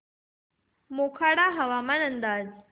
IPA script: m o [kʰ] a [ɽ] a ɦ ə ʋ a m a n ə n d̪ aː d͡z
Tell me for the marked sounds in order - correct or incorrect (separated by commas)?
correct, correct